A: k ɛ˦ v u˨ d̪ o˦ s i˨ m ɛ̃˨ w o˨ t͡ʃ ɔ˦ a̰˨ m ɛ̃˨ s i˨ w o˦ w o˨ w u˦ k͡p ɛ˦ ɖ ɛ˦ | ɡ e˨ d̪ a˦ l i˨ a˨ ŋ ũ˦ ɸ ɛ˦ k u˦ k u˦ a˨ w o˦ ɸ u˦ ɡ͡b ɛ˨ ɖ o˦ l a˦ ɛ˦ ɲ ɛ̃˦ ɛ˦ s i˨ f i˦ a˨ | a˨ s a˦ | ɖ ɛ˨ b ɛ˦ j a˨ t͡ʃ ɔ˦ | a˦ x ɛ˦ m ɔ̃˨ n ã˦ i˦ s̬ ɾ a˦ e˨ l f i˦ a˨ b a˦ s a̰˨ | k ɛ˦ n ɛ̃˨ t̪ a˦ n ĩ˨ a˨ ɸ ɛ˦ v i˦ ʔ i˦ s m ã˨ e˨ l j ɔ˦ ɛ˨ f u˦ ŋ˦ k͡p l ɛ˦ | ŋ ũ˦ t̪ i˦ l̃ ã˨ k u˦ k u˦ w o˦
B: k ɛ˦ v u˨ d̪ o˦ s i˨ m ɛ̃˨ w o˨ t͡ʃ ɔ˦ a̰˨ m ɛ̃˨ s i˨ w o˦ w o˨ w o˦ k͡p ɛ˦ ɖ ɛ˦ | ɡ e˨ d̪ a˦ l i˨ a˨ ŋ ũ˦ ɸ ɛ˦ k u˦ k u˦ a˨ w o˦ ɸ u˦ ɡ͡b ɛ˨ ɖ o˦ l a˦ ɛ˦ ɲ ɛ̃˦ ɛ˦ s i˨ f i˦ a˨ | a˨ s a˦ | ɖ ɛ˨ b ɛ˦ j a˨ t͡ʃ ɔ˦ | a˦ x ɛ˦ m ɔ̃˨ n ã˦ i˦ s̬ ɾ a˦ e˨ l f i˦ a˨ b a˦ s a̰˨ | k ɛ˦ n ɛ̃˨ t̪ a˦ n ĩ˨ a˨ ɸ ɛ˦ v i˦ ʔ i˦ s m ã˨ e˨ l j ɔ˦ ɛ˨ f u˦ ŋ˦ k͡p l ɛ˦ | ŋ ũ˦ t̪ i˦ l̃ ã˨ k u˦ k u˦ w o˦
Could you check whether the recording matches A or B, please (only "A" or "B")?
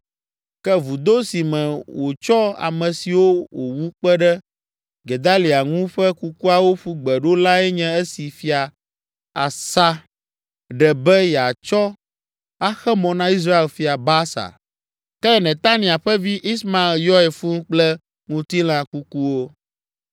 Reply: A